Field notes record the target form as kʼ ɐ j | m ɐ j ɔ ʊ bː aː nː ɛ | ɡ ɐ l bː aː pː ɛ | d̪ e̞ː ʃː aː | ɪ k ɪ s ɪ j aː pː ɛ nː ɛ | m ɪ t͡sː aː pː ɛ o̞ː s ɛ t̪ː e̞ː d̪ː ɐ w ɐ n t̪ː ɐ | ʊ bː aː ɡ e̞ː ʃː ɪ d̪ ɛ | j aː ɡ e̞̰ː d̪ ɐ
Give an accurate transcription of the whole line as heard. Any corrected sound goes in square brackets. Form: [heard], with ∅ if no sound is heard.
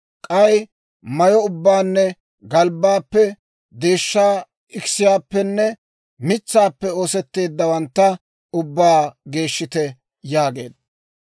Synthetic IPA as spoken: kʼ ɐ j | m ɐ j ɔ ʊ bː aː nː ɛ | ɡ ɐ l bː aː pː ɛ | d̪ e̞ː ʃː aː | ɪ k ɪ s ɪ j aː pː ɛ nː ɛ | m ɪ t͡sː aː pː ɛ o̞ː s ɛ t̪ː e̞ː d̪ː ɐ w ɐ n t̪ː ɐ | ʊ bː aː ɡ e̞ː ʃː ɪ [t̪] ɛ | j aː ɡ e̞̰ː d̪ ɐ